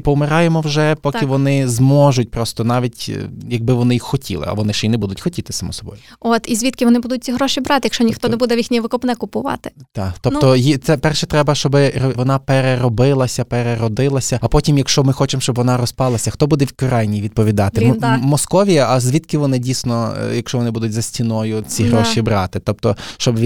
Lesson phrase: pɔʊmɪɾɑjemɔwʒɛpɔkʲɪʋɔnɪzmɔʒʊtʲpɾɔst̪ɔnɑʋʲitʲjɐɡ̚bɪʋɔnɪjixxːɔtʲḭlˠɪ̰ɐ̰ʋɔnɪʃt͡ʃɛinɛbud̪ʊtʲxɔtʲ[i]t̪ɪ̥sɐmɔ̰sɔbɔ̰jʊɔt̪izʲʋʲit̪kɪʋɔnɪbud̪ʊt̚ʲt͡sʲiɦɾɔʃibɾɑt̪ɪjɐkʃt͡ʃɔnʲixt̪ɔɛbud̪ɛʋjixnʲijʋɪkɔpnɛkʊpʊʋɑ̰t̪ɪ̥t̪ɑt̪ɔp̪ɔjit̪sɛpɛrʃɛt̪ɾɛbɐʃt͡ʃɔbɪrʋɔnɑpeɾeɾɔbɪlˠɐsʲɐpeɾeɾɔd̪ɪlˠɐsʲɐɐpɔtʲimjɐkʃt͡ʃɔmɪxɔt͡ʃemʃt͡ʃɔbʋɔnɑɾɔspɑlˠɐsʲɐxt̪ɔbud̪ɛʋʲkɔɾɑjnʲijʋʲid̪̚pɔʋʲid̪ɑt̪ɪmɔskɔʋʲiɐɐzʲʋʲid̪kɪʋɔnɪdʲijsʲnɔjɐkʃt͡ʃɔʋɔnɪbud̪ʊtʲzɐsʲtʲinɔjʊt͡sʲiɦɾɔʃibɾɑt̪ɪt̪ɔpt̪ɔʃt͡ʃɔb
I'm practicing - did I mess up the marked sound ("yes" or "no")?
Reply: no